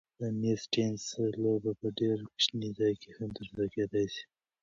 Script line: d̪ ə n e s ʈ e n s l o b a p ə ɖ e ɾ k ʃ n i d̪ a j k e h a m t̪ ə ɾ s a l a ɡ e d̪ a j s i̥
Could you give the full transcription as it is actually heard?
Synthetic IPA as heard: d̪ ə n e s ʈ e n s l o b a p ə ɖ e ɾ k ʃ n i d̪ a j k e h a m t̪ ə ɾ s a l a k e d̪ a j s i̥